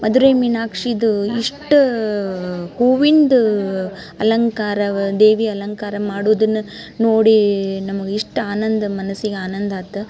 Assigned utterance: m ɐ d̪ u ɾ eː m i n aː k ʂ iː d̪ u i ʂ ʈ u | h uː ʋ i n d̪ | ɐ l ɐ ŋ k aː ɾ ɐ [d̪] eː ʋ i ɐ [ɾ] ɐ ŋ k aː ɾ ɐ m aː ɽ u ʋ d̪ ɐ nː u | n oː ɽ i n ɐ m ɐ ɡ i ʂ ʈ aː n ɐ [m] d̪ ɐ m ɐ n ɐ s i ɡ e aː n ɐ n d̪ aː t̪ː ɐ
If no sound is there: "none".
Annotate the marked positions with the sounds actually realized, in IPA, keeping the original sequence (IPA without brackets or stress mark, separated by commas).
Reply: d̪, l, n